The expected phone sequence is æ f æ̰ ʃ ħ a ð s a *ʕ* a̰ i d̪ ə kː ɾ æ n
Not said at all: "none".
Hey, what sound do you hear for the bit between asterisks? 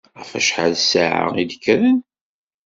ʕ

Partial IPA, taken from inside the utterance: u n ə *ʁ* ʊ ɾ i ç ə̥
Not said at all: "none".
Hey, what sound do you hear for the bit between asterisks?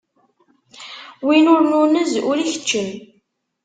z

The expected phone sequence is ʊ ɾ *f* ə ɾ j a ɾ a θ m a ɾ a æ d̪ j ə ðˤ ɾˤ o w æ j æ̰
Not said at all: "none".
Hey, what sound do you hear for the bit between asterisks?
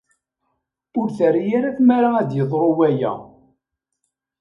θ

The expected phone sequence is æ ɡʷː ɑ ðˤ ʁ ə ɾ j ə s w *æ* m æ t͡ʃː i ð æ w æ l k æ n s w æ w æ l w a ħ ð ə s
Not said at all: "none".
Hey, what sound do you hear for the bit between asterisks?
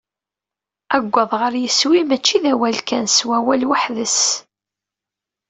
i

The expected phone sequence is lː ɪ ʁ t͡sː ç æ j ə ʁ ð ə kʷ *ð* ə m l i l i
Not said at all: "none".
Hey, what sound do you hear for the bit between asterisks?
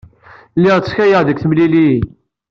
θ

